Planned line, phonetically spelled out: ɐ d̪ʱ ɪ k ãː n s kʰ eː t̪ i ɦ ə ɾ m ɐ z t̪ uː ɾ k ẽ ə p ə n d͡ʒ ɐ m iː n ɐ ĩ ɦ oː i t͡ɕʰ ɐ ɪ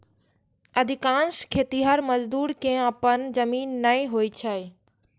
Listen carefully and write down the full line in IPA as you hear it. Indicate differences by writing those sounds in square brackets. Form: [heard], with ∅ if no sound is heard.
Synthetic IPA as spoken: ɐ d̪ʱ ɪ k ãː n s kʰ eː t̪ i ɦ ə ɾ m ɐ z [d̪] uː ɾ k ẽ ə p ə n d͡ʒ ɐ m iː [nː] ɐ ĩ ɦ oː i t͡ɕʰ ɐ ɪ